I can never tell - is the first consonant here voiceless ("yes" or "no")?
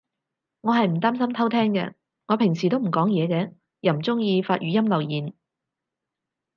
no